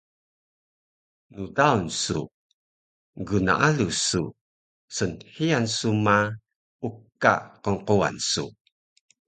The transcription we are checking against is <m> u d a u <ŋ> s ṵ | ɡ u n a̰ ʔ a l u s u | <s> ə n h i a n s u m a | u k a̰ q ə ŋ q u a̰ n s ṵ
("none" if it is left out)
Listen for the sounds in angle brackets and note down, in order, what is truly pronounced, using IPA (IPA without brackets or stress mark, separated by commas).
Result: n, n, s